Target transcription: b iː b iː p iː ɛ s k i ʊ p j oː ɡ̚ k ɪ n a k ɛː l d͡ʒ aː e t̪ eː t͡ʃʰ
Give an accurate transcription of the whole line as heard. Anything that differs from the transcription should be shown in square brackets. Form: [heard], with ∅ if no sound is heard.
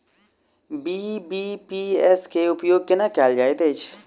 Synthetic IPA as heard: b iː b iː p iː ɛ s k [e] ʊ p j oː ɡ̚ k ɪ n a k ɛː l d͡ʒ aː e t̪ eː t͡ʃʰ